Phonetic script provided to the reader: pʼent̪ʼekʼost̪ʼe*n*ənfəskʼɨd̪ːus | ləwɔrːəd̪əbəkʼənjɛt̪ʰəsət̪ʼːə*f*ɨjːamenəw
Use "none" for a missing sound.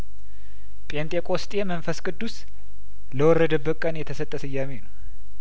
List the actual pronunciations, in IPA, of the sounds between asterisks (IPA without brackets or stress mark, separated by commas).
m, s